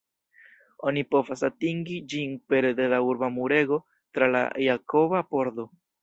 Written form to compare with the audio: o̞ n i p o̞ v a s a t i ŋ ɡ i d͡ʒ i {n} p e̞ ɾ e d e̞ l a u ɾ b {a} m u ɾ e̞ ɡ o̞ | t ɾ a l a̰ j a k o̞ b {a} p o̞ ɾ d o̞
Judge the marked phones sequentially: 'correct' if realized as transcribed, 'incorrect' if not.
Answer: correct, correct, correct

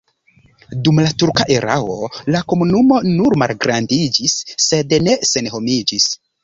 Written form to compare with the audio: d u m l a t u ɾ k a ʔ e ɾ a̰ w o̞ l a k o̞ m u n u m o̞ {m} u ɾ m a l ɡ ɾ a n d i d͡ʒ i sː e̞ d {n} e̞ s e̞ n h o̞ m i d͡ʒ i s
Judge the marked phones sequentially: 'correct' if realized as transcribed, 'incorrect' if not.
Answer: incorrect: n, correct

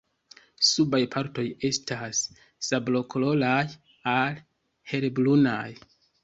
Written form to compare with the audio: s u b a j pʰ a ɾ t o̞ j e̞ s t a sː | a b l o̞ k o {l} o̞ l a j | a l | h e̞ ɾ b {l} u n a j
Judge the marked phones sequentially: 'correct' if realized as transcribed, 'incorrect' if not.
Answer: correct, correct

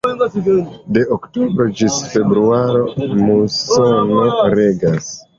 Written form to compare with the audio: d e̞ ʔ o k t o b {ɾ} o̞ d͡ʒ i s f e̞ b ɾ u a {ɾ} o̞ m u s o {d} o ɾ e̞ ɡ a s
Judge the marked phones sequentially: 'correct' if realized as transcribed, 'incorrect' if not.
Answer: correct, correct, incorrect: n

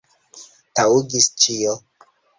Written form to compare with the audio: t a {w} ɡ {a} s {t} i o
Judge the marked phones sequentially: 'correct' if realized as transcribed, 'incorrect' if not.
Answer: incorrect: u, incorrect: i, incorrect: t͡ʃ

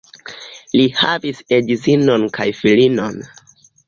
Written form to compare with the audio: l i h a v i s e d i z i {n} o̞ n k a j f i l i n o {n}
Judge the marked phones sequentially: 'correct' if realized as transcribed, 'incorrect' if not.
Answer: correct, correct

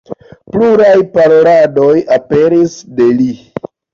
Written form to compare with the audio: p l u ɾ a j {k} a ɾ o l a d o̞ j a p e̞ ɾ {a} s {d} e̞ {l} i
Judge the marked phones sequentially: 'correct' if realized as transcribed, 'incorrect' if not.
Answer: incorrect: p, incorrect: i, correct, correct

